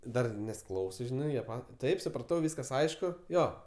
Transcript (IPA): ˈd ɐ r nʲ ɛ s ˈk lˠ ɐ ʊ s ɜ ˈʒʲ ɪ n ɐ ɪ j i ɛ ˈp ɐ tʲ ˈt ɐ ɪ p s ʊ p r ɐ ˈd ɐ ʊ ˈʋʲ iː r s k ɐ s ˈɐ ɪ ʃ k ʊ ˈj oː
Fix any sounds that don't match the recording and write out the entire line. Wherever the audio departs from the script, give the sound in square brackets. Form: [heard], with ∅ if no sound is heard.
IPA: ˈd ɐ r nʲ ɛ s ˈk lˠ ɐ ʊ s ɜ ˈʒʲ ɪ n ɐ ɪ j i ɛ ˈp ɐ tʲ ˈt ɐ ɪ p s ʊ p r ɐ [ˈt] ɐ ʊ ˈʋʲ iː [∅] s k ɐ s ˈɐ ɪ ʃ k ʊ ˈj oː